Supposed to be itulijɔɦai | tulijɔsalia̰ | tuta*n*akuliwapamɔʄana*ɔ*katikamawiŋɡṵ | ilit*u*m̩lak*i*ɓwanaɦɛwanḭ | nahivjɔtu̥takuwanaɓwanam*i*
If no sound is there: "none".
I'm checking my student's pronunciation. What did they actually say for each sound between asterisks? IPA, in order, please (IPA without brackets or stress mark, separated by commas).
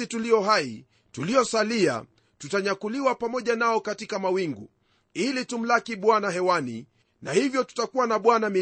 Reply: ɲ, ɔ, u, i, i